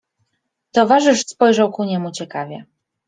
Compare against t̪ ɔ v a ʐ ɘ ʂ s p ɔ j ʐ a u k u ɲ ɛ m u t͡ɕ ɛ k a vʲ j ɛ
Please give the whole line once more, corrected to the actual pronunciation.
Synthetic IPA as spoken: t̪ ɔ v a ʐ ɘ ʂ s p ɔ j ʐ a w k u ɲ ɛ m u t͡ɕ ɛ k a vʲ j ɛ